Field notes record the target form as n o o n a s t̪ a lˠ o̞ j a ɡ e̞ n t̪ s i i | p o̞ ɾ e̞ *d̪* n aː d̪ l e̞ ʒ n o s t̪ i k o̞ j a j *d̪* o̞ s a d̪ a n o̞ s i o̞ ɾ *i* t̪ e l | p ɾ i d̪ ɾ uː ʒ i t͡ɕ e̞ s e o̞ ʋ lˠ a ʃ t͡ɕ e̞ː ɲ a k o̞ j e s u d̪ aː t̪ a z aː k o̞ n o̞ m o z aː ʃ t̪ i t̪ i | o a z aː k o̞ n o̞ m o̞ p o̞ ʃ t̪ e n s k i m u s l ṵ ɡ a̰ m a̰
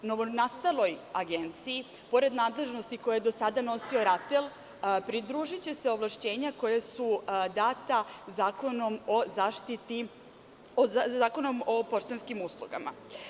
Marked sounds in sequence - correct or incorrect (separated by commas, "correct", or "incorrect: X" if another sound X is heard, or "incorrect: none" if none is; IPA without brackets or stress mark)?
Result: correct, correct, incorrect: a